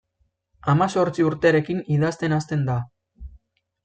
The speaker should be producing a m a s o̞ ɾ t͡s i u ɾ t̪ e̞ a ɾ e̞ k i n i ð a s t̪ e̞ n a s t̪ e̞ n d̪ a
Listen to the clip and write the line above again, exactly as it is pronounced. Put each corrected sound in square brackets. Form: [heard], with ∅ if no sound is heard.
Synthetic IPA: a m a s o̞ ɾ t͡s i u ɾ t̪ e̞ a ɾ e̞ k i n i ð a s t̪ e̞ n a s t̪ e̞ n d̪ a